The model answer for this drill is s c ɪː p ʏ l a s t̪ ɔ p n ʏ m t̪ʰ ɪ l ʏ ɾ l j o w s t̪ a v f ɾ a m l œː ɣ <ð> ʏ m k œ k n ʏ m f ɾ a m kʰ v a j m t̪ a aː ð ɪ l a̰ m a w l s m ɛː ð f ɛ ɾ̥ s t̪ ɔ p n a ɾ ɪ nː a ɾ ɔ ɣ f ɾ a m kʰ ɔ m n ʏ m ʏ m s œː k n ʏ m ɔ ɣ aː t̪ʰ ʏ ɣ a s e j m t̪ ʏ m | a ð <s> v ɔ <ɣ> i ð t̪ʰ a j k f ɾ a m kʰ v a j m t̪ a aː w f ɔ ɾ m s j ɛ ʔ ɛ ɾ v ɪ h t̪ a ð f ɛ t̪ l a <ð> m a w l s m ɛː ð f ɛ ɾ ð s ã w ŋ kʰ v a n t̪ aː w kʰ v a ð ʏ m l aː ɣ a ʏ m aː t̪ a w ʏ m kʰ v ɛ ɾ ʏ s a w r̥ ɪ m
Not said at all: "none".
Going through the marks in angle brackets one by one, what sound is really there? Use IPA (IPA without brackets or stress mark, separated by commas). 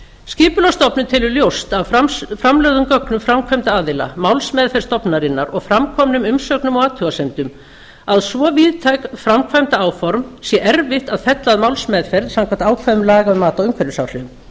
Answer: ð, s, v, ð